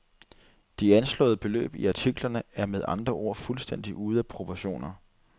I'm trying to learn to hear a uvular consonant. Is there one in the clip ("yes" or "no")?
yes